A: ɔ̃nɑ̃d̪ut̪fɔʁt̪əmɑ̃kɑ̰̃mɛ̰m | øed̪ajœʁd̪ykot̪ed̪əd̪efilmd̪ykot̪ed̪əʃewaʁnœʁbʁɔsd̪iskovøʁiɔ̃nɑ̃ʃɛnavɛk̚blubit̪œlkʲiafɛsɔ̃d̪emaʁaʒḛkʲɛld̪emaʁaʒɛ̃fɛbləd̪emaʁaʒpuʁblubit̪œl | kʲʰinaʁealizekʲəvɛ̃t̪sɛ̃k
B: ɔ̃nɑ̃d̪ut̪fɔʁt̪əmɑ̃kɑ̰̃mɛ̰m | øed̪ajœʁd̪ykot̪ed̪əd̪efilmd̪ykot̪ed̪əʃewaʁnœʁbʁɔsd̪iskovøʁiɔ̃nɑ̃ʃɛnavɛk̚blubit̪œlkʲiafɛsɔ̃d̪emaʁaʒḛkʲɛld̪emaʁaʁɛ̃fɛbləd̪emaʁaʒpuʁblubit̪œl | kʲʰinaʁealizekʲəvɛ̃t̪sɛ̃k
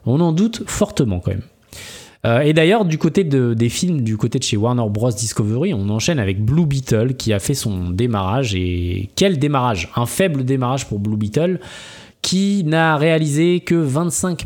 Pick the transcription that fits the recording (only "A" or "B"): A